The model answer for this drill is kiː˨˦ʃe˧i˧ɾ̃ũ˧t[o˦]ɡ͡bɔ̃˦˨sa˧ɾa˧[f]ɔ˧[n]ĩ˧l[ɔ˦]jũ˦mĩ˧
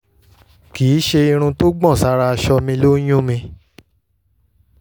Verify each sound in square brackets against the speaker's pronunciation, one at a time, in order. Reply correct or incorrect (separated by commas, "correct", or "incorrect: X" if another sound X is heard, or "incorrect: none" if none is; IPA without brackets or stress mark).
correct, incorrect: ʃ, incorrect: m, incorrect: o˦